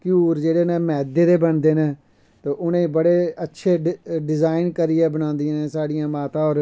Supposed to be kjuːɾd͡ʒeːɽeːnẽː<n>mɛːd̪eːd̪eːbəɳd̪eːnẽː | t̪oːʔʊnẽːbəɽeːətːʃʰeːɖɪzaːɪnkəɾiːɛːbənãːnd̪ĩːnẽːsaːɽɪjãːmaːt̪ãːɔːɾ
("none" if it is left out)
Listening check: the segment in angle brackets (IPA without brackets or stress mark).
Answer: none